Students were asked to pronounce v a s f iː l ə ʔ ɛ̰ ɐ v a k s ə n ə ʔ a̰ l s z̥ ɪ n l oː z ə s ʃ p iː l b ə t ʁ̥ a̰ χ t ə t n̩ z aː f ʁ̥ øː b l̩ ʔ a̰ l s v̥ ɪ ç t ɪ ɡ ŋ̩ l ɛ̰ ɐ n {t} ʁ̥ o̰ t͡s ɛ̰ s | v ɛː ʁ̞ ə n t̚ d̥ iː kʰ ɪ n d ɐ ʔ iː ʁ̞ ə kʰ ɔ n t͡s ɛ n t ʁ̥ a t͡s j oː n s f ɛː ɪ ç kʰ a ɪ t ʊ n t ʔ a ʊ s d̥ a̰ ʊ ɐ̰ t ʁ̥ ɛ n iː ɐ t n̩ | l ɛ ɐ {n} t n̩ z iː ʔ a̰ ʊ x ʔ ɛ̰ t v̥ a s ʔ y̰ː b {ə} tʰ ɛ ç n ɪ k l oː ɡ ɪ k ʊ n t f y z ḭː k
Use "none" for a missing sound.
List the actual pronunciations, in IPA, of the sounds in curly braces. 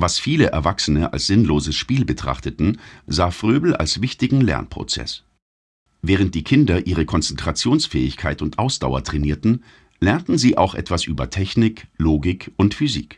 p, n, ɐ

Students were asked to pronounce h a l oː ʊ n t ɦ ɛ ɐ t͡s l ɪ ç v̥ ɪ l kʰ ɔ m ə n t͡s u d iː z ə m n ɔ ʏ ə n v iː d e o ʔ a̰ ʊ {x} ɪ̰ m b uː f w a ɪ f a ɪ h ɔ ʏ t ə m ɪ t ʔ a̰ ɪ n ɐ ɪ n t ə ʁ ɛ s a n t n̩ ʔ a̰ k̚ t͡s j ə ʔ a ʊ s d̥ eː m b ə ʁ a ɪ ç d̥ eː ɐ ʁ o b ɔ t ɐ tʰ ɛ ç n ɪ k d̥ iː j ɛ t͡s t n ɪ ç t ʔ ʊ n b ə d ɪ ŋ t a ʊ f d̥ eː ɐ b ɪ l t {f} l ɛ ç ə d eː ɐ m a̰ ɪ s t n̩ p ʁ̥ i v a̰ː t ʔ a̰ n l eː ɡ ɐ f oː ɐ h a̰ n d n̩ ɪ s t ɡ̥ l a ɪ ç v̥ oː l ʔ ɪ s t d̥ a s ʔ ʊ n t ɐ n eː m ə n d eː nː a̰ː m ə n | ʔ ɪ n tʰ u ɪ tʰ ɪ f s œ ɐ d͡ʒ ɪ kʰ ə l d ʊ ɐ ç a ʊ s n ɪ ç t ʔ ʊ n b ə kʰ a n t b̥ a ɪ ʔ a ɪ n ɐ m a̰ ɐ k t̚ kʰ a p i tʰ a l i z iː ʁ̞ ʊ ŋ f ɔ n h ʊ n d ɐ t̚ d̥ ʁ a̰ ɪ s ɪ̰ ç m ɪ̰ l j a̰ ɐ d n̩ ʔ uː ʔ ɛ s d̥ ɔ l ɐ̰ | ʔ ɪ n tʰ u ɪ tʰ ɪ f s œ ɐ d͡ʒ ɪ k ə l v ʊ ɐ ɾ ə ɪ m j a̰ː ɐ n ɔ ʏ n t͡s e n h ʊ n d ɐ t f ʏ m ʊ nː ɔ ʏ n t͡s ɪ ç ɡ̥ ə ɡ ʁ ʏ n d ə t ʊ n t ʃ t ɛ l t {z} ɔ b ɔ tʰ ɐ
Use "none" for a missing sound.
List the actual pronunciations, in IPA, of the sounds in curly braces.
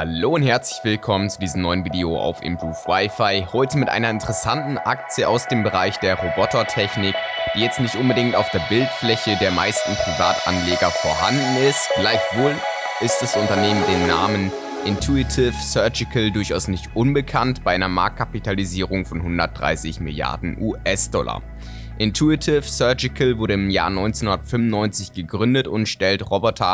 f, f, ʁ

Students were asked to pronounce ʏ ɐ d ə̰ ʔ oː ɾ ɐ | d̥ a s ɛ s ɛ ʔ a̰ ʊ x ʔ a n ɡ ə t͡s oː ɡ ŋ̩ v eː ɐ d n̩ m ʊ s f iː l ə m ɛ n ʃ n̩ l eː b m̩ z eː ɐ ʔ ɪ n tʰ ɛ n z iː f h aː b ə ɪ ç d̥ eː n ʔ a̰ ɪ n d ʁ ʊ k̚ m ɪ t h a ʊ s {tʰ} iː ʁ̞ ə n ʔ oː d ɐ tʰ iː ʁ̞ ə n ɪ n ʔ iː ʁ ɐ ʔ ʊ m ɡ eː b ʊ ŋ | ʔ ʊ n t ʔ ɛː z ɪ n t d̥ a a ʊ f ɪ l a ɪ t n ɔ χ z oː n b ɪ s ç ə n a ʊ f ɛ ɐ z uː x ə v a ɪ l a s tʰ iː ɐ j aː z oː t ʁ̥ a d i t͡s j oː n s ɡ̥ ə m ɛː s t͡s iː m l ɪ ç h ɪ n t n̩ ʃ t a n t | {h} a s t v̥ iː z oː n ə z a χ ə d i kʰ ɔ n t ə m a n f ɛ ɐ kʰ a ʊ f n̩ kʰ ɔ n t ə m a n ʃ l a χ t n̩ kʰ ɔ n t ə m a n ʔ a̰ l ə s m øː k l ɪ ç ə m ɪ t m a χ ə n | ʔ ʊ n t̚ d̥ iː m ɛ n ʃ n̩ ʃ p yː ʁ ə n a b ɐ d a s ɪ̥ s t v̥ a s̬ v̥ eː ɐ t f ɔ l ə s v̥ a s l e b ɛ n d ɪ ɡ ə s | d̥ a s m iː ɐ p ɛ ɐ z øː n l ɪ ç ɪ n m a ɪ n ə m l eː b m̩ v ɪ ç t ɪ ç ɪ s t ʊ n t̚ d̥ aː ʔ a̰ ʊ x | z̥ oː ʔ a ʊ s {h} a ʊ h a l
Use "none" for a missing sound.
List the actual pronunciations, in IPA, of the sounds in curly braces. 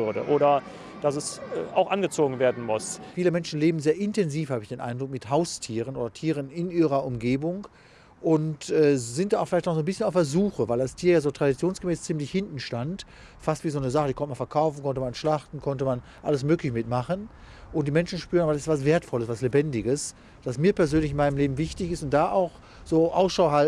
tʰ, f, ʃ

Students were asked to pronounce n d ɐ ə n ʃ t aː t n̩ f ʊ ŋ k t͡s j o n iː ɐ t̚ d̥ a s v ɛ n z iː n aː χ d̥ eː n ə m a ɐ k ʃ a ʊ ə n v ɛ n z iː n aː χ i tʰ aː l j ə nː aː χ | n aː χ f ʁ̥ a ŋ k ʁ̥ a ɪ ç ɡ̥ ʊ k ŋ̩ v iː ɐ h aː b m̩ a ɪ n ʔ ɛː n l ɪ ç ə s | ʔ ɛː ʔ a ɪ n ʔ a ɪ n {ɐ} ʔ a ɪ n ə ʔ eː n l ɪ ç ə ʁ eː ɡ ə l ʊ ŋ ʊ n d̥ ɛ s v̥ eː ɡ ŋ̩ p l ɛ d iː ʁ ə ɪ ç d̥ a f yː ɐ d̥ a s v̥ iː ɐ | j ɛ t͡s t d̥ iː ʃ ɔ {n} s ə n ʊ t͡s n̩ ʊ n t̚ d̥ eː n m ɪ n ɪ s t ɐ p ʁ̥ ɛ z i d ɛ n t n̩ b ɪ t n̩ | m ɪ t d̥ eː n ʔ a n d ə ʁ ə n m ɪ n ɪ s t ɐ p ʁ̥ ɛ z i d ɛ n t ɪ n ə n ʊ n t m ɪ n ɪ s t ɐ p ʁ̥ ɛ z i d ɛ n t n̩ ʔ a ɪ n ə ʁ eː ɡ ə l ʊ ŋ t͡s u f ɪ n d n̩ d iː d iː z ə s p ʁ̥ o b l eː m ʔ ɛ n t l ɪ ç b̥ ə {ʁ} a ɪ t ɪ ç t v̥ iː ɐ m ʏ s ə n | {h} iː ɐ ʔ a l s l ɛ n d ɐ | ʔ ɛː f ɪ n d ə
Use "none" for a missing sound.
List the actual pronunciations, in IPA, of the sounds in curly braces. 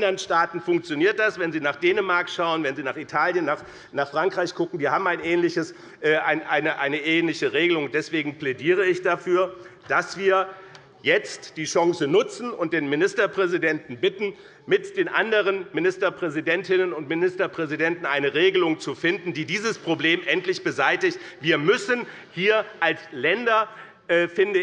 ə, ŋ, z, h

